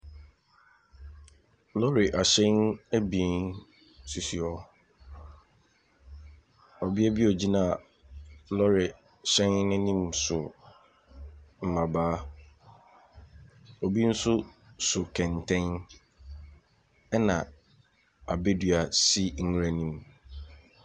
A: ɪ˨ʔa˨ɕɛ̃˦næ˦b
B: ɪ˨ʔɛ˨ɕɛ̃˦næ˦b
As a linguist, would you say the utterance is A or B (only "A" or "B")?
A